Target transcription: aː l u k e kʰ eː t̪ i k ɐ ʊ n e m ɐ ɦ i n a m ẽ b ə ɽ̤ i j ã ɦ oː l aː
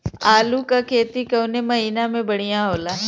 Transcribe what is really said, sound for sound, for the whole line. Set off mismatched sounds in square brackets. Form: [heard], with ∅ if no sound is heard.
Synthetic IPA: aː l u k [a] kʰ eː t̪ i k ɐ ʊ n e m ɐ ɦ [iː] n a m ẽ b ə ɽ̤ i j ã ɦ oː l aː